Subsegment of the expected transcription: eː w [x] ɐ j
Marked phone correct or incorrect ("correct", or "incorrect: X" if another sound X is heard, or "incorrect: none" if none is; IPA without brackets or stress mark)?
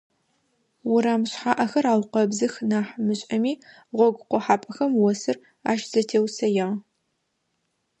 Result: incorrect: s